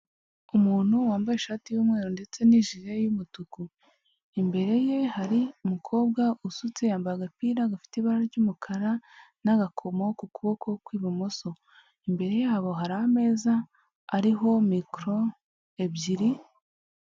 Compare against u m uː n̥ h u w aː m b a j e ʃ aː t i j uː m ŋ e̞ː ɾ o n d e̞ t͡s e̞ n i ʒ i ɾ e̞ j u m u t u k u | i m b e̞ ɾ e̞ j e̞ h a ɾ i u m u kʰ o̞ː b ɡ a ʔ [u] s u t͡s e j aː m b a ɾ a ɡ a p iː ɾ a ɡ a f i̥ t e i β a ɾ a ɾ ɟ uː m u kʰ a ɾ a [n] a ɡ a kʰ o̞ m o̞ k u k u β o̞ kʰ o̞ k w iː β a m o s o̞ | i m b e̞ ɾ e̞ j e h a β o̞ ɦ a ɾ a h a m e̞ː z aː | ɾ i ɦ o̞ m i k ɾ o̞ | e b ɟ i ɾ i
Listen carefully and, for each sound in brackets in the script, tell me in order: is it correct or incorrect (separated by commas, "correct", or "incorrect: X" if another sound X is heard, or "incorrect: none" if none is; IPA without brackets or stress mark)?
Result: correct, correct